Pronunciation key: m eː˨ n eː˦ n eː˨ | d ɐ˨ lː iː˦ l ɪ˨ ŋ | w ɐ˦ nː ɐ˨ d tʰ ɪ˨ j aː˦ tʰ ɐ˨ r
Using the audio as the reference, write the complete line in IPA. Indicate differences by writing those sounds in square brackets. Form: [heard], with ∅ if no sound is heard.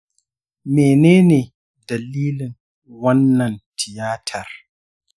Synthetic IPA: m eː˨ n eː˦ n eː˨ | d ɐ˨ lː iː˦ l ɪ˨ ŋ | w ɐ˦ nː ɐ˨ [n] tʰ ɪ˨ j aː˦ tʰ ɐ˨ r